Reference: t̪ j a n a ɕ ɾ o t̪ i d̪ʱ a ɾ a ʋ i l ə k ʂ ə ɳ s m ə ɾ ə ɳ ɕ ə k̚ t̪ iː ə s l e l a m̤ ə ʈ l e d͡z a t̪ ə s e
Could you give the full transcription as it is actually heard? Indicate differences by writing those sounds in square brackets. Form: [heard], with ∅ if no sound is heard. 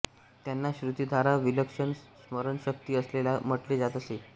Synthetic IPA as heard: t̪ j a [nː] a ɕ ɾ [u] t̪ i d̪ʱ a ɾ a ʋ i l ə k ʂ ə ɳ s m ə ɾ ə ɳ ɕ ə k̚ t̪ iː ə s l e l a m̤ ə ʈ l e d͡z a t̪ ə s e